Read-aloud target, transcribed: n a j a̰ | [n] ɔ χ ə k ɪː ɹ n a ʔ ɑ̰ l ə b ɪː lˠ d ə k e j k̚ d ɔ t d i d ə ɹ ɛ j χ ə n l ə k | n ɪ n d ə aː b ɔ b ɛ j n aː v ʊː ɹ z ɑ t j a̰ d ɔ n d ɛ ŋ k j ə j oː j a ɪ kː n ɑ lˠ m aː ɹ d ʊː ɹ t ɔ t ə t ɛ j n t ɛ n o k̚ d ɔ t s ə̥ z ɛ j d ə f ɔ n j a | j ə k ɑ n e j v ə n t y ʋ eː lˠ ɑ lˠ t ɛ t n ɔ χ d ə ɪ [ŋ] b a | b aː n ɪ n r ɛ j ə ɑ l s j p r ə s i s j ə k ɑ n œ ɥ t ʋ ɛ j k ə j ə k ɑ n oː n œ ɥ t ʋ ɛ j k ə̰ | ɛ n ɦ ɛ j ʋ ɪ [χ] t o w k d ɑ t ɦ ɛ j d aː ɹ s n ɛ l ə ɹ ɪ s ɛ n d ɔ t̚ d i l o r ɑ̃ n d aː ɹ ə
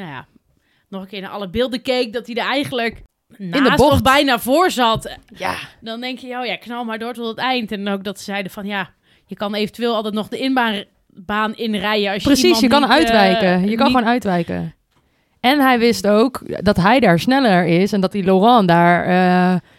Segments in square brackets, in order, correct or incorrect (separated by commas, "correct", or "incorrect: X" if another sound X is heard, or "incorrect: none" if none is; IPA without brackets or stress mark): correct, incorrect: n, incorrect: s